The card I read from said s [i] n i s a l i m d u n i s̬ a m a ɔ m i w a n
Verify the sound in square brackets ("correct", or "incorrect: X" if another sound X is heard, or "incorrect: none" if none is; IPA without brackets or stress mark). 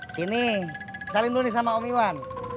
correct